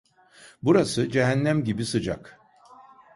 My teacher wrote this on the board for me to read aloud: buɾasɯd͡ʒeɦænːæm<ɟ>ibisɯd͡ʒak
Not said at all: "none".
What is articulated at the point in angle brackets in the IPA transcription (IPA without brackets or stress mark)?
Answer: ɟ